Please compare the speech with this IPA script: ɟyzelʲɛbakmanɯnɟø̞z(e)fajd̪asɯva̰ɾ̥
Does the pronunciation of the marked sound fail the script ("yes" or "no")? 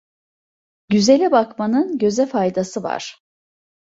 yes